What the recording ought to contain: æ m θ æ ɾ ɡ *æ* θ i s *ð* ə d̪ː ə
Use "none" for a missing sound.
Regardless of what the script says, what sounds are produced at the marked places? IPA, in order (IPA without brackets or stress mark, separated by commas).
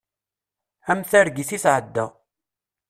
i, ʕ